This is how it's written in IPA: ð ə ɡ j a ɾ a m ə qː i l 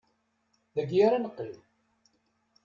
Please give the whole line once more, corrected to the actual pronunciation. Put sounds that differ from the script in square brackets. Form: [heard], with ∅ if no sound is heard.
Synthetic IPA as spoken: ð ə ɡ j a ɾ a [n] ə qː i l